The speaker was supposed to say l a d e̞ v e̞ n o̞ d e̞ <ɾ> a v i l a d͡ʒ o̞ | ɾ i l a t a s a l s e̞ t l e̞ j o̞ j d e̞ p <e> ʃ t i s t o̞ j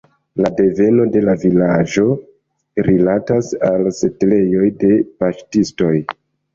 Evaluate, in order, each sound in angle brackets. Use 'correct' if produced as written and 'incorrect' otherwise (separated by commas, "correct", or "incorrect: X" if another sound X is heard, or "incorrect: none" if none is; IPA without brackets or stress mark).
incorrect: l, incorrect: a